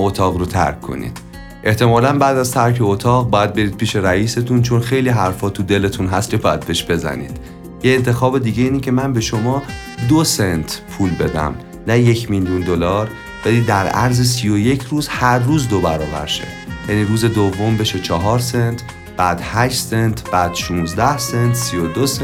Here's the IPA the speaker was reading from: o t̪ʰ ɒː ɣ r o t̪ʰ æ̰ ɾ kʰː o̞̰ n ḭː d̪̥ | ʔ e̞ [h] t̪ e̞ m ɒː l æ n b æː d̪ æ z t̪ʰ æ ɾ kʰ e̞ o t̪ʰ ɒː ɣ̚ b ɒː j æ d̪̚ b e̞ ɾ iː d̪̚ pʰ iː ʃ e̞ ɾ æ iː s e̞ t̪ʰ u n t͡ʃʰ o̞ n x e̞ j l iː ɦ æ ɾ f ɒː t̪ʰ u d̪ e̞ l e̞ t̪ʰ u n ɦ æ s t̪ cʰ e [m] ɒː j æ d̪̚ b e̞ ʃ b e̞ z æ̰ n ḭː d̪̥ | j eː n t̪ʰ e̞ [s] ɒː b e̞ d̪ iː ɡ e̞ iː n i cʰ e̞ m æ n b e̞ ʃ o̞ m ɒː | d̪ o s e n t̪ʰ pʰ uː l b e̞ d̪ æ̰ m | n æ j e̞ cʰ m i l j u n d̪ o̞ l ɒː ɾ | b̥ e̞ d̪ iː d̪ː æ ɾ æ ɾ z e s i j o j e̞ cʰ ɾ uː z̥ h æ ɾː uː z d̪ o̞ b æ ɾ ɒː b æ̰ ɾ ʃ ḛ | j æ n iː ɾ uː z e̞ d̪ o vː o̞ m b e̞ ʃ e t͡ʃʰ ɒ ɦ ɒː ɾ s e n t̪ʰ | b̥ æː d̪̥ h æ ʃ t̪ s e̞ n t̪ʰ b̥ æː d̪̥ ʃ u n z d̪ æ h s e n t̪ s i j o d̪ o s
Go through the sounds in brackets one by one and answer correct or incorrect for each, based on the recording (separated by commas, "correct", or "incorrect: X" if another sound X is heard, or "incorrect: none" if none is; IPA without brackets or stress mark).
correct, incorrect: b, incorrect: x